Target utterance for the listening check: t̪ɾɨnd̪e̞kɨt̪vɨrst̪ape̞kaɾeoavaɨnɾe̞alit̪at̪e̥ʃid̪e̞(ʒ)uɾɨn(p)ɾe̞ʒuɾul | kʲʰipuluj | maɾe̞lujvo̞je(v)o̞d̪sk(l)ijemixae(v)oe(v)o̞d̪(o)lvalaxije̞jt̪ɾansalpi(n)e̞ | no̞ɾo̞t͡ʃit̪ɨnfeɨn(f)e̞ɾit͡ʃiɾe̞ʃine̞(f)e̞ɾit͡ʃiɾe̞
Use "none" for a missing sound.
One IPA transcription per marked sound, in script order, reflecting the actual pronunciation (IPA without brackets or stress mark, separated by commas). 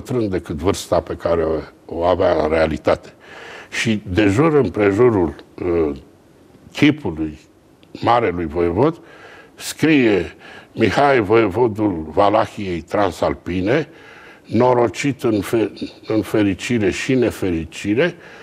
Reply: ʒ, p, v, ɾ, v, v, u, n, f, f